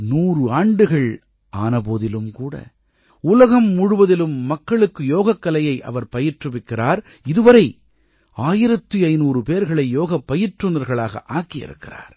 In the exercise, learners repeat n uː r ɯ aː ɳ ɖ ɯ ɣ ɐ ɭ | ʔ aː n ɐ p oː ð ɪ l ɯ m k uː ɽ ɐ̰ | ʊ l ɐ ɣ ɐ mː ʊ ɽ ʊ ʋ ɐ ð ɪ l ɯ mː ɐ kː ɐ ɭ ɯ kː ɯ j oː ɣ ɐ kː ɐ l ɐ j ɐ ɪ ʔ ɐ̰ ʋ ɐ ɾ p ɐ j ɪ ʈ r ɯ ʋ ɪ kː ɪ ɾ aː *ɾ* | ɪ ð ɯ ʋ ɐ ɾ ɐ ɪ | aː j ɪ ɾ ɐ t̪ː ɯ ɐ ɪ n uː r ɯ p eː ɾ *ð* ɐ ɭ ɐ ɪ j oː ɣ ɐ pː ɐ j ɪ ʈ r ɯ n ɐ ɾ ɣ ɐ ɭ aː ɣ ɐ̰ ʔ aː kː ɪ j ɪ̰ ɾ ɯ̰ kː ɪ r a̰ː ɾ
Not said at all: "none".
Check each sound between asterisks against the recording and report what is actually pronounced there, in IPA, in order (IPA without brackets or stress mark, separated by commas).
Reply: ɾ, ɣ